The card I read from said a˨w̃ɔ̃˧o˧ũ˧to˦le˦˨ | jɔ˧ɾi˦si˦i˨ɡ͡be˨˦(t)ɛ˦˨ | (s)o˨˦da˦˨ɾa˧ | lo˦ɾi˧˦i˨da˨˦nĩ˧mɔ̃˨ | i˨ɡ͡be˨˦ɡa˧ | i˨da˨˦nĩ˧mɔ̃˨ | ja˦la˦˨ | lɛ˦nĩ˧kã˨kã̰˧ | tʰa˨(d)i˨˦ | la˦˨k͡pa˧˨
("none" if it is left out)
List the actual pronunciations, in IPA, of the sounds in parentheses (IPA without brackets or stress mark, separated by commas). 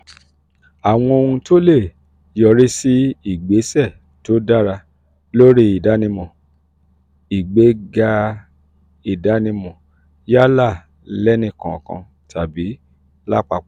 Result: s, t, b